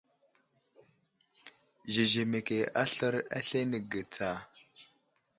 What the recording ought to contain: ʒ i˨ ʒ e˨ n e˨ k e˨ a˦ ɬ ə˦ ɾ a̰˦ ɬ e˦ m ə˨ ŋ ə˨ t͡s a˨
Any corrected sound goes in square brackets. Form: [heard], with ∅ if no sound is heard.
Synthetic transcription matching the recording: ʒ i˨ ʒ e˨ [m] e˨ k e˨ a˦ ɬ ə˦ ɾ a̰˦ ɬ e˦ [n] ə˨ [ɡ] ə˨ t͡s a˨